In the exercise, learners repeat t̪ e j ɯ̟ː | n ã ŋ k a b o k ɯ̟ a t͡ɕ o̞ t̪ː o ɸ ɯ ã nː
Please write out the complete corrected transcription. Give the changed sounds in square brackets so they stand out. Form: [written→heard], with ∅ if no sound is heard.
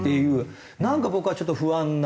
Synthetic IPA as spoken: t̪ e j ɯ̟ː | n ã ŋ k a b o k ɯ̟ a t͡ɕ o̞ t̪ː o ɸ ɯ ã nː